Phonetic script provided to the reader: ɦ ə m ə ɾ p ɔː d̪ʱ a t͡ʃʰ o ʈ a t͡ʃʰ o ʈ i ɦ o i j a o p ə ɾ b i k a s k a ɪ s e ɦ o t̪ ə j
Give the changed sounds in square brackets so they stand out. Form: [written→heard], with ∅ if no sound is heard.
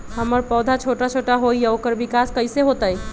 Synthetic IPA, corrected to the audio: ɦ ə m ə ɾ p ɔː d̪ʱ a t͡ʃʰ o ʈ a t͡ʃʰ o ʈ [i→a] ɦ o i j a o [p→k] ə ɾ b i k a s k [a→ə] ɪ s e ɦ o t̪ ə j